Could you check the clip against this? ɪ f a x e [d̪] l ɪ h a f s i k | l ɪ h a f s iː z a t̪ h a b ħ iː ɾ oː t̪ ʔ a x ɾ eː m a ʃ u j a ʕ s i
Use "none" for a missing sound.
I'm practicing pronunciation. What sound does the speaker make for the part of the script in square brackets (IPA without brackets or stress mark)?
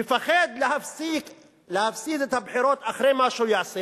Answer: d̪